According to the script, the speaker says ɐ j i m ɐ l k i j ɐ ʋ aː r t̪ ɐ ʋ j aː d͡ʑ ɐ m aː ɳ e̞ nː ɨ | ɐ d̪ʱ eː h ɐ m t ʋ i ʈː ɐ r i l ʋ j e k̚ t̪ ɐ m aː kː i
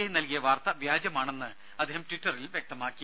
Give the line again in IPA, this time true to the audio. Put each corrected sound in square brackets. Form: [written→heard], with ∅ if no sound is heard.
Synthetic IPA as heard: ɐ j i [m→n] ɐ l k i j ɐ ʋ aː r t̪ ɐ ʋ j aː d͡ʑ ɐ m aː ɳ e̞ nː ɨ | ɐ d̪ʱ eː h ɐ m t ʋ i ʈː ɐ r i l ʋ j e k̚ t̪ ɐ m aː kː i